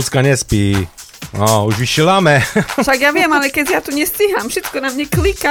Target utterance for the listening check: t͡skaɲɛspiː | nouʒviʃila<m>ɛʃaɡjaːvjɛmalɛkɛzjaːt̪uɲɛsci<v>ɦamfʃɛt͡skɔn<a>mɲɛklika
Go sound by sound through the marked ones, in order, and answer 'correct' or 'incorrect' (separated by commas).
correct, incorrect, correct